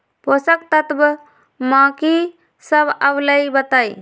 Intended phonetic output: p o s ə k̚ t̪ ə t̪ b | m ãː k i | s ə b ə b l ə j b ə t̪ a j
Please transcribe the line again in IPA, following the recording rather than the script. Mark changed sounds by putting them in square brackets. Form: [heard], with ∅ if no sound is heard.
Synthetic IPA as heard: p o s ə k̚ t̪ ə t̪ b | m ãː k i | s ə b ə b l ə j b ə t̪ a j